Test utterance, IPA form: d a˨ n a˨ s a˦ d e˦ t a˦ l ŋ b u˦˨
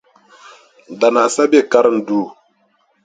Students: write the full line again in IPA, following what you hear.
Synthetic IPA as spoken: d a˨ n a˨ s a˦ b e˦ k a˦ ɾ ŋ d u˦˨